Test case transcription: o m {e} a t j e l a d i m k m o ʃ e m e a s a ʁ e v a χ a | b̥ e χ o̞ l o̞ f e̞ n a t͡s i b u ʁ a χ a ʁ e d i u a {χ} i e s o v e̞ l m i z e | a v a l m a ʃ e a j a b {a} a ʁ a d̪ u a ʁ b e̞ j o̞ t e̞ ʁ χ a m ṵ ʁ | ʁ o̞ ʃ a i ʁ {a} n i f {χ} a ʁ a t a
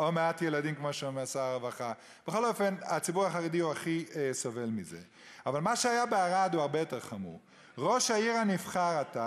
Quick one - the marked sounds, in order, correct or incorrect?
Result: correct, correct, incorrect: e, correct, correct

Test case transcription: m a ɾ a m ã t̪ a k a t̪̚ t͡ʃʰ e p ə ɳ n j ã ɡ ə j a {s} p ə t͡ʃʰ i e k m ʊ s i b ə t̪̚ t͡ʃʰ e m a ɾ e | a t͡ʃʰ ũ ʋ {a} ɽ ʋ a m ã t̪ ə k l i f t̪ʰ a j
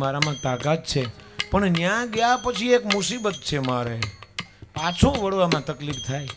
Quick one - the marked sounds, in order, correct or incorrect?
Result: incorrect: none, incorrect: ə

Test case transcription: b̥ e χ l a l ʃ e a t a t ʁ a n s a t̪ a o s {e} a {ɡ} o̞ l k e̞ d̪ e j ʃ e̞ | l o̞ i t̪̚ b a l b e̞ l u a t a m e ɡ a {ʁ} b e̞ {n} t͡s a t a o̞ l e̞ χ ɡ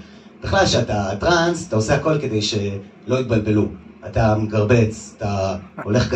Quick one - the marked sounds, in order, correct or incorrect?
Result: correct, incorrect: k, correct, incorrect: none

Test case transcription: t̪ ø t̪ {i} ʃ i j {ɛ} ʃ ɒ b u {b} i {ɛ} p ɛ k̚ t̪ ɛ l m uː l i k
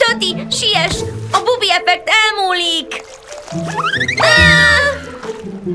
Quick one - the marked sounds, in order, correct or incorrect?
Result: correct, correct, correct, correct

